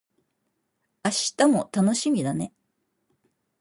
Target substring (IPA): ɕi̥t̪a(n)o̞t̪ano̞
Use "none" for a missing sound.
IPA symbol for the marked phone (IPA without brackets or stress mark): m